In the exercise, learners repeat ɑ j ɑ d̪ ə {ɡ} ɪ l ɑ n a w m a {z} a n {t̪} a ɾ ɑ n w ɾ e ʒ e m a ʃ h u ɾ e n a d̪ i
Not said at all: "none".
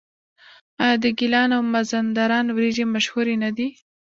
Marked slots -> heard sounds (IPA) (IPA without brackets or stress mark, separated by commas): ɡ, z, d̪